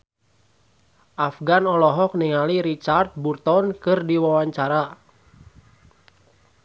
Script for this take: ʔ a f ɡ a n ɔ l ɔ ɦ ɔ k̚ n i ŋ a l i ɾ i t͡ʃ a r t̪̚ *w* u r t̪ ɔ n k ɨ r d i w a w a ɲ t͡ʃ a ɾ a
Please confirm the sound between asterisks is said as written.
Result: no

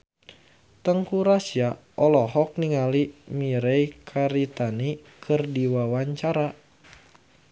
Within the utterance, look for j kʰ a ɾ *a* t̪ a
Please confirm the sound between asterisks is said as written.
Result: no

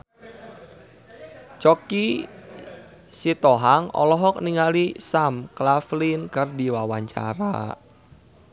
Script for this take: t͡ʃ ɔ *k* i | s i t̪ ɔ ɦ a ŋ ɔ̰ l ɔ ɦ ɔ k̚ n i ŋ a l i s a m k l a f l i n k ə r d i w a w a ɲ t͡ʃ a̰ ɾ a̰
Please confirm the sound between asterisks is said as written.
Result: yes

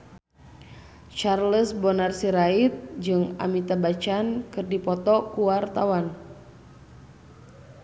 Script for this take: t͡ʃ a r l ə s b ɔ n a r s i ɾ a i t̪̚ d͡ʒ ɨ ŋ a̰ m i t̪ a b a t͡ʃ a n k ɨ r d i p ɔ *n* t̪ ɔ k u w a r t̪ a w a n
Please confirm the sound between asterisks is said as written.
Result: no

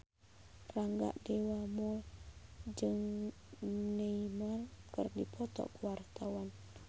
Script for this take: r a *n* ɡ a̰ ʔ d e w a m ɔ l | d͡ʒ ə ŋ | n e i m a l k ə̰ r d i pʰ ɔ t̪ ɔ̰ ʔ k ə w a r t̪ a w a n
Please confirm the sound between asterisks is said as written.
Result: no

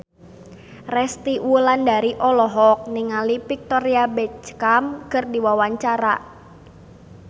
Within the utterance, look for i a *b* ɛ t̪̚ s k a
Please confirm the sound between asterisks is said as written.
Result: yes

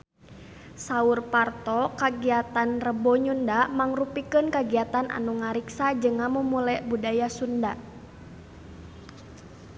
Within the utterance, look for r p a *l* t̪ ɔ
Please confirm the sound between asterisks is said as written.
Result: no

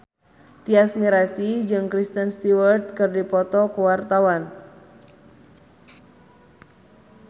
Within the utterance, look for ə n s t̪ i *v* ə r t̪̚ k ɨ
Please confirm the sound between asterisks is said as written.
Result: no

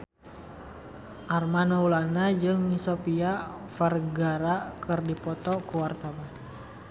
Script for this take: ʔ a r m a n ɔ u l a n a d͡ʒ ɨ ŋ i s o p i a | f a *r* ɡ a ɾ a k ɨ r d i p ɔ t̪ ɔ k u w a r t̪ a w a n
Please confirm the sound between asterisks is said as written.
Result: yes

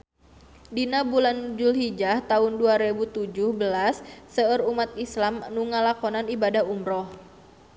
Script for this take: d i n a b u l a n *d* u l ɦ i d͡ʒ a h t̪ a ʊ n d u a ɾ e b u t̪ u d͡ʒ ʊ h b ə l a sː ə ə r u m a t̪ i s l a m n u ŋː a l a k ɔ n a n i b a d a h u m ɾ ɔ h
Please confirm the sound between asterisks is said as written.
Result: no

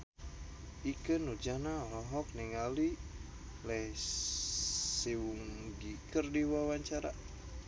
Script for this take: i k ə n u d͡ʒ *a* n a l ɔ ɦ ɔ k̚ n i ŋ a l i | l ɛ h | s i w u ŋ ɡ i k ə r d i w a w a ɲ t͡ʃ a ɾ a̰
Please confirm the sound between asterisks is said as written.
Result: yes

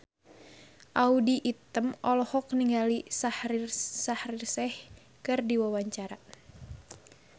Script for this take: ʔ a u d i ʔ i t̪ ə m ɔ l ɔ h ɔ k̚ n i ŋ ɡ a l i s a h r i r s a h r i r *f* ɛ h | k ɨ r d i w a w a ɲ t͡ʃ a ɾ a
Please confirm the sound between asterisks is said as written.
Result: no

